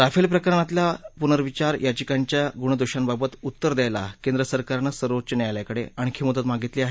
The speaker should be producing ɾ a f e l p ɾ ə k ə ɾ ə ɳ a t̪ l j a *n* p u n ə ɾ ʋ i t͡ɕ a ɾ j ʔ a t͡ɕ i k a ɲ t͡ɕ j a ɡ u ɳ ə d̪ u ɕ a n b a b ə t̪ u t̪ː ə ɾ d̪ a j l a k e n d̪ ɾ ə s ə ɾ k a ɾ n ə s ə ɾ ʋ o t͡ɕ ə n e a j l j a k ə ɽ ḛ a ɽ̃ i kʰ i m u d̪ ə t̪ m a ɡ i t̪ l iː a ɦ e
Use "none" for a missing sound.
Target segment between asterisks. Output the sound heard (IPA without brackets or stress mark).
none